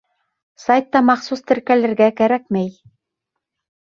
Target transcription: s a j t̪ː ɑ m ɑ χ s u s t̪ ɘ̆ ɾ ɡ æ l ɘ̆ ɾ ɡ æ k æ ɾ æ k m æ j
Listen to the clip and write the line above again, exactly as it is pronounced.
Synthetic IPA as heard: s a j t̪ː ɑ m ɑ χ s u s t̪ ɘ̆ ɾ k æ l ɘ̆ ɾ ɡ æ k æ ɾ æ k m æ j

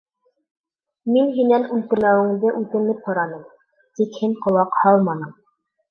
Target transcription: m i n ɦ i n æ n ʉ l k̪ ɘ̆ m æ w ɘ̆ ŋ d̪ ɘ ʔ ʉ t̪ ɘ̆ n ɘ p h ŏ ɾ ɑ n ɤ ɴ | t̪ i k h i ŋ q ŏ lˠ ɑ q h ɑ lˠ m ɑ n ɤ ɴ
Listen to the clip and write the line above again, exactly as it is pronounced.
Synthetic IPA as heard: m i n ɦ i n æ n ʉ l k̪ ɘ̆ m æ w ɘ̆ ŋ d̪ ɘ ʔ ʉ t̪ ɘ̆ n ɘ p h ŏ ɾ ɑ n ɤ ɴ | t̪ i k h i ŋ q ŏ lˠ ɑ q h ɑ lˠ m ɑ n ɤ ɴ

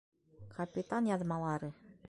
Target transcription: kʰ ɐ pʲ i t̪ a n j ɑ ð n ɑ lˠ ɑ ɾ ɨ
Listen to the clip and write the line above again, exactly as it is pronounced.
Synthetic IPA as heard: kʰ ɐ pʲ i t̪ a n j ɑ ð m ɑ lˠ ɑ ɾ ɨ

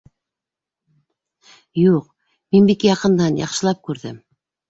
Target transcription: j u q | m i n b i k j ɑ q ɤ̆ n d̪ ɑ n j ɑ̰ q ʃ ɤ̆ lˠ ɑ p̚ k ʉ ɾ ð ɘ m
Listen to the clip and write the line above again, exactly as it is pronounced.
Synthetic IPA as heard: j u q | m i n b i k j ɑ q ɤ̆ n d̪ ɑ n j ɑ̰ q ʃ ɤ̆ lˠ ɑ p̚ k ʉ ɾ ð ɘ m

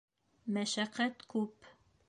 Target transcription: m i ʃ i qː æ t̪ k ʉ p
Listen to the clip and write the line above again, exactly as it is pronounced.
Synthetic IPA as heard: m æ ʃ æ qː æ t̪ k ʉ p

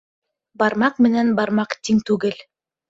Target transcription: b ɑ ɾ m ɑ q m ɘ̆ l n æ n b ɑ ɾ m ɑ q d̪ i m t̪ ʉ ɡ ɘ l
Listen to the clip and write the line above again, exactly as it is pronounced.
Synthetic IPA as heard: b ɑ ɾ m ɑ q m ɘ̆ n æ n b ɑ ɾ m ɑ q t̪ i ŋ t̪ ʉ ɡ ɘ l

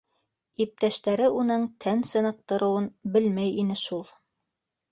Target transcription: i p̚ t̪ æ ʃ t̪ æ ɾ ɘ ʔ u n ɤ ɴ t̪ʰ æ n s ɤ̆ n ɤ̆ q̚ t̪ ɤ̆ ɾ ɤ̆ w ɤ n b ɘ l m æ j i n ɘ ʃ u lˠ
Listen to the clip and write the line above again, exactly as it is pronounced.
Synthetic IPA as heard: i p̚ t̪ æ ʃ t̪ æ ɾ ɘ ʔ u n ɤ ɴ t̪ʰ æ n s ɤ̆ n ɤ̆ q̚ t̪ ɤ̆ ɾ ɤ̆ w ɤ n b ɘ l m æ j i n ɘ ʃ u lˠ

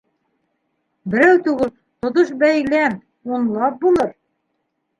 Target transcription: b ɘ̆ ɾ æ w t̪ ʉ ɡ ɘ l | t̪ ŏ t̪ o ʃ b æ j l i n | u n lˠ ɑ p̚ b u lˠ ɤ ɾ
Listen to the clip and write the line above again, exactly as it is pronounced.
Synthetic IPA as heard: b ɘ̆ ɾ æ w t̪ ʉ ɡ ɘ l | t̪ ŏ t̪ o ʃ b æ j l æ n | u n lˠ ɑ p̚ b u lˠ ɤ ɾ

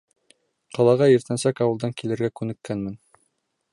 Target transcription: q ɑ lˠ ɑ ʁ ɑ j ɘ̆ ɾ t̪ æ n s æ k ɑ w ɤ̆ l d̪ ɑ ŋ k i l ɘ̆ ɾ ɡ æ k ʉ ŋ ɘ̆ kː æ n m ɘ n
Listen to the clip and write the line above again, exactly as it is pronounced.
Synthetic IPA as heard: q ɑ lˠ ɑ ʁ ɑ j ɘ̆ ɾ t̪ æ n s æ k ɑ w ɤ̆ l d̪ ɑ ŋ k i l ɘ̆ ɾ ɡ æ k ʉ n ɘ̆ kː æ n m ɘ n

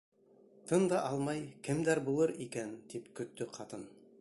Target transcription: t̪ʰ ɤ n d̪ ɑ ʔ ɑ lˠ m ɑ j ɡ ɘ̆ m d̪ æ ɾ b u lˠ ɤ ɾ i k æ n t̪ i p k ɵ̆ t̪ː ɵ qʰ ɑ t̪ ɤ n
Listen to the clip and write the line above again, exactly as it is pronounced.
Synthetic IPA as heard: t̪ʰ ɤ n d̪ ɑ ʔ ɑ lˠ m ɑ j k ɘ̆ m d̪ æ ɾ b u lˠ ɤ ɾ i k æ n t̪ i p k ɵ̆ t̪ː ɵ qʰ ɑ t̪ ɤ n

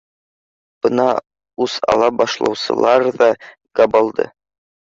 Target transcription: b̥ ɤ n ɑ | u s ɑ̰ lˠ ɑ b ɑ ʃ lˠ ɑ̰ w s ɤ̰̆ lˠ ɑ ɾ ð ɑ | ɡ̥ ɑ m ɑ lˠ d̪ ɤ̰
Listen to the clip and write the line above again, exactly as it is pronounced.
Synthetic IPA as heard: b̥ ɤ n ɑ | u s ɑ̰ lˠ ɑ b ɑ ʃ lˠ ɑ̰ w s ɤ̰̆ lˠ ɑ ɾ ð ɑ | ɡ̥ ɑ b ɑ lˠ d̪ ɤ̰

